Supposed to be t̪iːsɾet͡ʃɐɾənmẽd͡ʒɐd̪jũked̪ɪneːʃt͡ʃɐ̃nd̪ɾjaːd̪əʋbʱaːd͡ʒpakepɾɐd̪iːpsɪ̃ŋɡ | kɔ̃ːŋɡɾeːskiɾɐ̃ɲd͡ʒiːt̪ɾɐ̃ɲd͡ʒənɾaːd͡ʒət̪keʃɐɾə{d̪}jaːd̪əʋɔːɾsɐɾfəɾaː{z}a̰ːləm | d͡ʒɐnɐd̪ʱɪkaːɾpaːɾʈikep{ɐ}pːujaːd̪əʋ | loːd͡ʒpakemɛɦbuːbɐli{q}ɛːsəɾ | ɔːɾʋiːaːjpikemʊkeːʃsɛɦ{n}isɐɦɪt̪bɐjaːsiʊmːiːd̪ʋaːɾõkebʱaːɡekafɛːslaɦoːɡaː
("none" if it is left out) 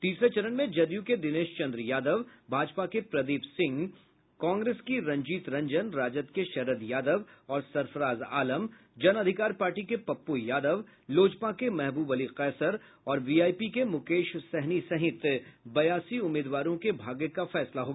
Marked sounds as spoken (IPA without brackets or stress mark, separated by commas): d̪, z, ɐ, q, n